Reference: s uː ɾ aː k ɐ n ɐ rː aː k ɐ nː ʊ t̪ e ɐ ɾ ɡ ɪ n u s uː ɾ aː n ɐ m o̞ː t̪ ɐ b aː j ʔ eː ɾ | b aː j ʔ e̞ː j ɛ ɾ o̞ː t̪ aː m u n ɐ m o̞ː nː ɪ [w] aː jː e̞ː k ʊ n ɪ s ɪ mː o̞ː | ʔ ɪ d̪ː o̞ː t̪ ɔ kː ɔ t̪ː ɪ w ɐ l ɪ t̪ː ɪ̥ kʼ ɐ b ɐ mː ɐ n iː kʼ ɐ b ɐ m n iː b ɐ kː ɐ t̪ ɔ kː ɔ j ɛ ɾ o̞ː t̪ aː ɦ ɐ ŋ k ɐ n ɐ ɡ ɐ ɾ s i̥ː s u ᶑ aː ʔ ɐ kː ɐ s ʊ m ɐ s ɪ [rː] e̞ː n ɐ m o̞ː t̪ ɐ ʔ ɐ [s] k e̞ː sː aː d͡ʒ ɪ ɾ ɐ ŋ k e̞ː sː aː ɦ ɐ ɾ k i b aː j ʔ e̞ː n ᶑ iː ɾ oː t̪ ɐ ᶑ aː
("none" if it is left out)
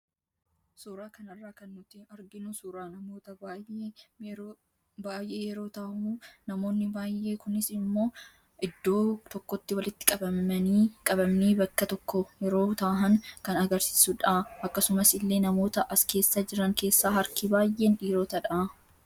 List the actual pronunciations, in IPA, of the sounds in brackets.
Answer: b, lː, s

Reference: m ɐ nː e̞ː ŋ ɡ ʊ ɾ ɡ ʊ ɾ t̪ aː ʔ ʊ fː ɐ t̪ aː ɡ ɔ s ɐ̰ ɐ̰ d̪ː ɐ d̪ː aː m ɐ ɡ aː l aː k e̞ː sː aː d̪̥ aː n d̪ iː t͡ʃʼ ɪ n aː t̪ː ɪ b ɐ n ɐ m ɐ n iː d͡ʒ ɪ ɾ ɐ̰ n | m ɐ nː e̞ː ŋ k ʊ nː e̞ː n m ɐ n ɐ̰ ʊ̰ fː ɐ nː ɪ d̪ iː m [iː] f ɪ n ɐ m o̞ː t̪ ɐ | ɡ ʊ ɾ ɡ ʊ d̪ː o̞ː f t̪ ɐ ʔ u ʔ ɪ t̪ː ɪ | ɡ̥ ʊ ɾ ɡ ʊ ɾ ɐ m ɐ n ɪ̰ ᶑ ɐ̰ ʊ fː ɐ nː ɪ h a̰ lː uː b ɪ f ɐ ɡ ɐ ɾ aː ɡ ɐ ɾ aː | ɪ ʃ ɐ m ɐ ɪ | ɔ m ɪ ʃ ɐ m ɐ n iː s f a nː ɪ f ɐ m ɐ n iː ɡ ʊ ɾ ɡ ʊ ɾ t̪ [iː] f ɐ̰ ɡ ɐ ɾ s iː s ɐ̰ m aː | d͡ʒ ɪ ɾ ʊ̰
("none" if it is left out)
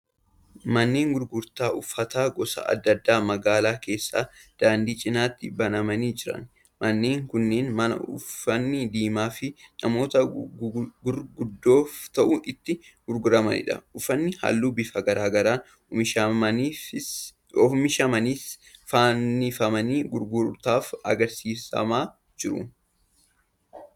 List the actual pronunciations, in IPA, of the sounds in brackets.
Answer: aː, aː

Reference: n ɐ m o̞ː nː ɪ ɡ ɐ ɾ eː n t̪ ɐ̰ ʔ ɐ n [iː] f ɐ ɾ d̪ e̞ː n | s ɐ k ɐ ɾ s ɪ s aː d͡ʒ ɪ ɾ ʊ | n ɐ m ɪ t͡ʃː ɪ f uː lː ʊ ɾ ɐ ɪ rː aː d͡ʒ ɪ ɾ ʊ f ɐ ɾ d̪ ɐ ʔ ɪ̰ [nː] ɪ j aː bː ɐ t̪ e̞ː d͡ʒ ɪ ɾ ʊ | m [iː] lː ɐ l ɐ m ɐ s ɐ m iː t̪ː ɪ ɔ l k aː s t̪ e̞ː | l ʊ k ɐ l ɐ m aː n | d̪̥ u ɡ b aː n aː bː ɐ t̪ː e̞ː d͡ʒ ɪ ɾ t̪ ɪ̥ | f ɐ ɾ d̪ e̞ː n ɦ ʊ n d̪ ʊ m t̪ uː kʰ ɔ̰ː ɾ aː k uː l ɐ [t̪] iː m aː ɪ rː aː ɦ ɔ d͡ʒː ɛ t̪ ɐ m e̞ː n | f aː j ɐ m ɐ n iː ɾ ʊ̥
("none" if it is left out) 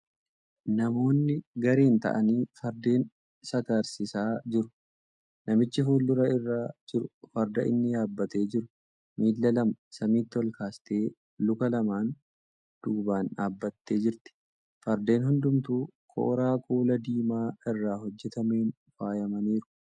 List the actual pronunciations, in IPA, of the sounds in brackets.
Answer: iː, nː, iː, d̪

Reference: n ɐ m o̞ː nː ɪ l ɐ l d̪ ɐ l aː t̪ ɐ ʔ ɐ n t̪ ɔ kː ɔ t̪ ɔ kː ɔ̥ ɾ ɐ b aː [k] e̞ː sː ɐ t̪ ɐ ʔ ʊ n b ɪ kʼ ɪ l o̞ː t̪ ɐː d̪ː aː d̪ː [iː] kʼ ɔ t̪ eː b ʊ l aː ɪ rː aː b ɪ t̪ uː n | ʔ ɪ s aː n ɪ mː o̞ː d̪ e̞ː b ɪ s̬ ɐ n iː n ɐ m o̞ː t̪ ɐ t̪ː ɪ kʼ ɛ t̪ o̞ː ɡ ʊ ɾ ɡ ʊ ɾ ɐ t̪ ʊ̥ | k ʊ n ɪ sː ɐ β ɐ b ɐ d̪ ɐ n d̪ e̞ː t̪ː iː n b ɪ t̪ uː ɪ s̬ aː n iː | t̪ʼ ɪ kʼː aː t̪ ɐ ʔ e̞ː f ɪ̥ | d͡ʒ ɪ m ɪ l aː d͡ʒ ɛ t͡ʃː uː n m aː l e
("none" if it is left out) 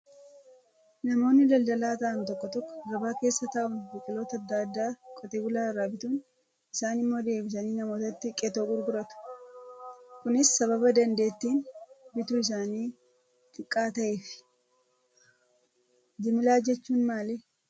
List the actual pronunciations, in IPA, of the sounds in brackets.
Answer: k, aː

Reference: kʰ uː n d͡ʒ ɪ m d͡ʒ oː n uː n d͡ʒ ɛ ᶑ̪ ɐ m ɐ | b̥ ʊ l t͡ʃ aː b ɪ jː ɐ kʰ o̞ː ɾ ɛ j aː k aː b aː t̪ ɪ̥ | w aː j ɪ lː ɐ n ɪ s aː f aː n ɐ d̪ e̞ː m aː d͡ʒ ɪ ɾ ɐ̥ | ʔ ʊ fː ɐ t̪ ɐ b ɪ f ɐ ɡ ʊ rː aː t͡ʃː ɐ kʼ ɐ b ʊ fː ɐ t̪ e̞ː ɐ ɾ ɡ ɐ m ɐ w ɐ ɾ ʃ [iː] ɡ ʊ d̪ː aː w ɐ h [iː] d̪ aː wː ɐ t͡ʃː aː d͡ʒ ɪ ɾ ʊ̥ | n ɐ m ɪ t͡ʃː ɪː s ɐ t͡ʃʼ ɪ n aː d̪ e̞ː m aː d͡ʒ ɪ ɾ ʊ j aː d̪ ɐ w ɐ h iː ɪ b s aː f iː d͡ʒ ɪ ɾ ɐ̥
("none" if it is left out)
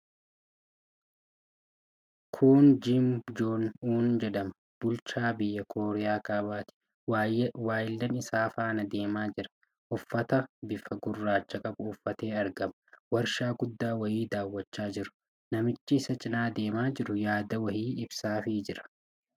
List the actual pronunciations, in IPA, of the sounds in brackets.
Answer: aː, iː

